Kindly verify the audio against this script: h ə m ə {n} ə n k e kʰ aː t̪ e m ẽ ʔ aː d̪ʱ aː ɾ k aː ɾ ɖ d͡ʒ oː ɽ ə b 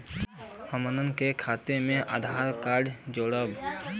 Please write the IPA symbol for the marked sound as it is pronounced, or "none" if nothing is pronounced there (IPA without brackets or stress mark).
n